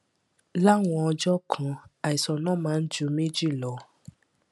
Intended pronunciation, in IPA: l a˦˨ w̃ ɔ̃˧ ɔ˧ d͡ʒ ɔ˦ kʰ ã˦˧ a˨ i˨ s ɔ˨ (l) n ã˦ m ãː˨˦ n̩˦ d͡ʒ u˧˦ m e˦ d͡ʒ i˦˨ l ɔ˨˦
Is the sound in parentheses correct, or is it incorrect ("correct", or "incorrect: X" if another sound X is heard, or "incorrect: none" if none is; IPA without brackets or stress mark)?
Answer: incorrect: none